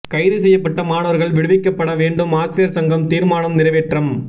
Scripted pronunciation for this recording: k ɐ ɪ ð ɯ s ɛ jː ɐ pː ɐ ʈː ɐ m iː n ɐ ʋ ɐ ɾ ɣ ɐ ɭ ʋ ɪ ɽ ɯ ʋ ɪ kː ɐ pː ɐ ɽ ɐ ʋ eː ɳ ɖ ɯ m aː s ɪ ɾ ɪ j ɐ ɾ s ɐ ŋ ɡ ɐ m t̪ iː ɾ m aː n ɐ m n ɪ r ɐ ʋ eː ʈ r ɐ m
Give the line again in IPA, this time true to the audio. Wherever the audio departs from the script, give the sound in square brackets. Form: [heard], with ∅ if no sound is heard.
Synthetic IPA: k ɐ ɪ ð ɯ s ɛ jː ɐ pː ɐ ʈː ɐ m [aː] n ɐ ʋ ɐ ɾ ɣ ɐ ɭ ʋ ɪ ɽ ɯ ʋ ɪ kː ɐ pː ɐ ɽ ɐ ʋ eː ɳ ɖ ɯ m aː s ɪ ɾ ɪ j ɐ ɾ s ɐ ŋ ɡ ɐ m t̪ iː ɾ m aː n ɐ m n ɪ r ɐ ʋ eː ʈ r ɐ m